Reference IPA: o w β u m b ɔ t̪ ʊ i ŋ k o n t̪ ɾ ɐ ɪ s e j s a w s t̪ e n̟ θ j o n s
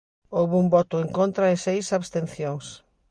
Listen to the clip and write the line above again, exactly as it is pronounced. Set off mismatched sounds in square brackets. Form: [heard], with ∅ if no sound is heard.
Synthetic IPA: o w β u m b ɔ t̪ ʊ [e] ŋ k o n t̪ ɾ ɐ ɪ s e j s a [β] s t̪ e n̟ θ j o [ŋ] s